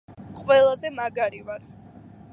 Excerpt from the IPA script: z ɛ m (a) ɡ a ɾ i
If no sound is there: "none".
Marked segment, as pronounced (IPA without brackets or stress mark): a